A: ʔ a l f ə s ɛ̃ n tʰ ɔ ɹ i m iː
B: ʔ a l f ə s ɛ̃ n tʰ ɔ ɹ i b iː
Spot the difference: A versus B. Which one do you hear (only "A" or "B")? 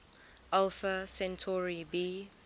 B